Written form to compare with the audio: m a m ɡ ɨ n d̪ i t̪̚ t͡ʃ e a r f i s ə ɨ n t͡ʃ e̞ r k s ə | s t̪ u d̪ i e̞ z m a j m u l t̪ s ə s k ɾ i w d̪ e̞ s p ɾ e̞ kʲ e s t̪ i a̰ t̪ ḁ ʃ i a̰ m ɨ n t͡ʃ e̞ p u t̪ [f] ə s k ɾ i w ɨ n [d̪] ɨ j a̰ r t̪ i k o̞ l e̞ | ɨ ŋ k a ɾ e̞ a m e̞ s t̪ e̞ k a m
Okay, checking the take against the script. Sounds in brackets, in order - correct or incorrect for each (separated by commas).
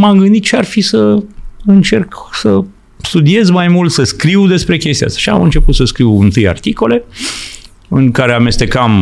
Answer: incorrect, incorrect